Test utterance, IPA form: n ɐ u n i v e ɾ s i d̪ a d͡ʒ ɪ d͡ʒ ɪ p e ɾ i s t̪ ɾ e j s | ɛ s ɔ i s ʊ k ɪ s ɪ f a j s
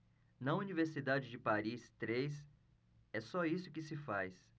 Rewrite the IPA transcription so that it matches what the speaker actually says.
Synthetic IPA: n ɐ u n i v e ɾ s i d̪ a d͡ʒ ɪ d͡ʒ ɪ p a ɾ i s t̪ ɾ e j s | ɛ s ɔ i s ʊ k ɪ s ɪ f a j s